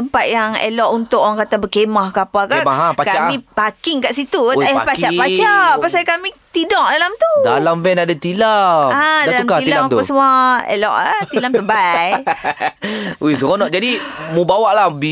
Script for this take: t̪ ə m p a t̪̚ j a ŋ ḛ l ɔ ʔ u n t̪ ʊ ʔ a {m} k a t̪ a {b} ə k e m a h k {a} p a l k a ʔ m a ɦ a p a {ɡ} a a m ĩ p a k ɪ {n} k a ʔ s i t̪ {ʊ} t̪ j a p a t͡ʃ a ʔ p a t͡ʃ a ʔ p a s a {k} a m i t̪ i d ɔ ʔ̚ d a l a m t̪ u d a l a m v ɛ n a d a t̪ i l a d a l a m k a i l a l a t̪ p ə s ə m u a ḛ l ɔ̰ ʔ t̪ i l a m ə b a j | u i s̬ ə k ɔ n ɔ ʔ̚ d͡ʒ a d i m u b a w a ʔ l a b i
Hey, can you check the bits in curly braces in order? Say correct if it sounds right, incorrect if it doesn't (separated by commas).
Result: incorrect, correct, correct, incorrect, incorrect, incorrect, correct